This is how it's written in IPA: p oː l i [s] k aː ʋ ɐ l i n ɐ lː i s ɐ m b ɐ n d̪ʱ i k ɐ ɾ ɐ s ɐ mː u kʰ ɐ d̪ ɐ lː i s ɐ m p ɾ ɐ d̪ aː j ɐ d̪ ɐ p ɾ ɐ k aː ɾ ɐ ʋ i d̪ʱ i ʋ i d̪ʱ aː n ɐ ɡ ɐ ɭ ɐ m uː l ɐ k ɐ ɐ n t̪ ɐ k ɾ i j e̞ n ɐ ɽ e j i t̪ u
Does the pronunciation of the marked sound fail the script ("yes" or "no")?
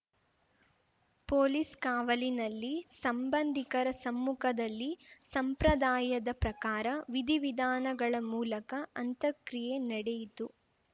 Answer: no